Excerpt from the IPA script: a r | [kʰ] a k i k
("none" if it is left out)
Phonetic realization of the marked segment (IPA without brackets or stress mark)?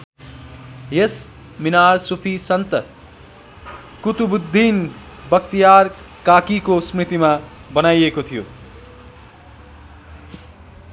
k